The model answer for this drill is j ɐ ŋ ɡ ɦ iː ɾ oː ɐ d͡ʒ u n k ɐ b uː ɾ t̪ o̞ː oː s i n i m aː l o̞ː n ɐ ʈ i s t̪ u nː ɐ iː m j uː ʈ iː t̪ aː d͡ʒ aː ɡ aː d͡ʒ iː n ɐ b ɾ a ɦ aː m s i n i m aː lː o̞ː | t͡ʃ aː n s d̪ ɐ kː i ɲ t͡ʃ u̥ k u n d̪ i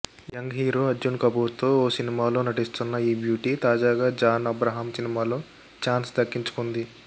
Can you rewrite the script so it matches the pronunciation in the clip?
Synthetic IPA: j ɐ ŋ ɡ ɦ iː ɾ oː ɐ d͡ʒ u n k ɐ b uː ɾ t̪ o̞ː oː s i n i m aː l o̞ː n ɐ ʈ i s t̪ u nː ɐ iː b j uː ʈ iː t̪ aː d͡ʒ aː ɡ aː d͡ʒ aː n ɐ b ɾ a ɦ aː m s i n i m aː l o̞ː | t͡ʃ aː n s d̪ ɐ kː i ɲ t͡ʃ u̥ k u n d̪ i